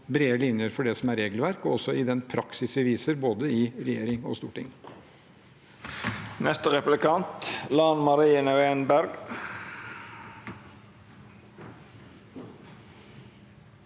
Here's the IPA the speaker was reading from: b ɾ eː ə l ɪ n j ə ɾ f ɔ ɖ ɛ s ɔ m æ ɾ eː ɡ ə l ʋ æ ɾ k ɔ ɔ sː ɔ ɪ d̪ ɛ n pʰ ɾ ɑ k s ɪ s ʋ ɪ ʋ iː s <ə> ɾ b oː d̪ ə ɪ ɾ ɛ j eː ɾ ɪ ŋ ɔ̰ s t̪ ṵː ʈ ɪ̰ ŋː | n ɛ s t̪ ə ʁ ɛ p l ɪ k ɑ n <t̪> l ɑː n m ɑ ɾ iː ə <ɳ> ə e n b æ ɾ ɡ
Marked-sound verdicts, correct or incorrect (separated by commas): correct, correct, incorrect